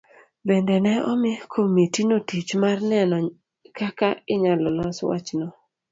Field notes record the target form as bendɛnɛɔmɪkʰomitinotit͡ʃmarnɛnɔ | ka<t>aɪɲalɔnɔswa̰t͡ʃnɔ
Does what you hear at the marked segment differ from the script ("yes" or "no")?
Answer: yes